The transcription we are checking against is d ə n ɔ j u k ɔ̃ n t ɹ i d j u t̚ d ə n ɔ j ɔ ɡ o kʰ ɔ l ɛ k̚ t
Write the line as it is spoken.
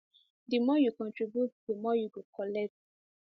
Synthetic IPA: d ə m ɔ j u k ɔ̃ n t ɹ i b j u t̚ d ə m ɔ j u ɡ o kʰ ɔ l ɛ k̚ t